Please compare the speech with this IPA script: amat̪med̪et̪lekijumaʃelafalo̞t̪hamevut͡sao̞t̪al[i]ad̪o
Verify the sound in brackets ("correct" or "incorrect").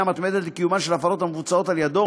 incorrect